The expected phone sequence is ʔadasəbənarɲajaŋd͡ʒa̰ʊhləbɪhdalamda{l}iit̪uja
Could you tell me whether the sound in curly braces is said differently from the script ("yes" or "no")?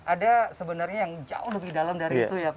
yes